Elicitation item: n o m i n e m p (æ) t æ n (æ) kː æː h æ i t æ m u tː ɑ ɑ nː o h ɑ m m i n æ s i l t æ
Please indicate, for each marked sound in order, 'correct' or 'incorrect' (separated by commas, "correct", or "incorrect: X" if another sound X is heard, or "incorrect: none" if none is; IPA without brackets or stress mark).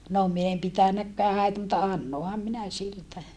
incorrect: i, correct